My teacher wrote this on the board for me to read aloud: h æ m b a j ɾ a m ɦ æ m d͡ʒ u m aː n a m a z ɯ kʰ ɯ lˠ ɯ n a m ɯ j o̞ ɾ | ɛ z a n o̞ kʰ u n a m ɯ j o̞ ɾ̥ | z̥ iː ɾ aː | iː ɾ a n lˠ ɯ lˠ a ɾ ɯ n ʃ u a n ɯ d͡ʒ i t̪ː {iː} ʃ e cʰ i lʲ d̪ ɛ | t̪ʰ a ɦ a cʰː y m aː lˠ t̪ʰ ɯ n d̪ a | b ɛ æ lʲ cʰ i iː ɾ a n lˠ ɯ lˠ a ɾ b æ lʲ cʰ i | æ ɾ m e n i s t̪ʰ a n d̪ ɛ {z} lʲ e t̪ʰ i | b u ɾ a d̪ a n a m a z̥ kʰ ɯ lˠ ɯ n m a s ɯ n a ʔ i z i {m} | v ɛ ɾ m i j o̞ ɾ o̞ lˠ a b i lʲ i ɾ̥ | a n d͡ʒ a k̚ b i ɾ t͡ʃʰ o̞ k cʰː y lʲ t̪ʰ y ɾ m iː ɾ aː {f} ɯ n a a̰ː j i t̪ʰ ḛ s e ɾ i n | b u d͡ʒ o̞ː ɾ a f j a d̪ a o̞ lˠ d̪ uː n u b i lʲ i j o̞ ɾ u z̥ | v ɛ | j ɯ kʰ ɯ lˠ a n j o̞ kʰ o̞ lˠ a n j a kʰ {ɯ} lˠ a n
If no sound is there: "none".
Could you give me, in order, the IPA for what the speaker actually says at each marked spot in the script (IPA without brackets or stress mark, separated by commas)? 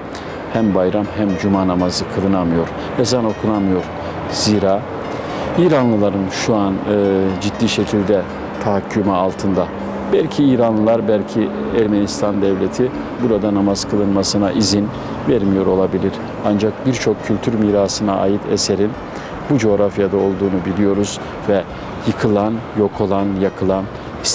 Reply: iː, v, n, s, ɯ